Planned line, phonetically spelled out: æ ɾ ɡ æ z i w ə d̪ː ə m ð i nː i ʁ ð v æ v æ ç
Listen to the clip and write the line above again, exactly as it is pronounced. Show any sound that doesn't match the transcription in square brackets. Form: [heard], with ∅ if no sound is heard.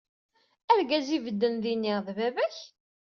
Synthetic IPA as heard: æ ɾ ɡ æ z i [v] ə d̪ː ə [n] ð i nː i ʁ ð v æ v æ ç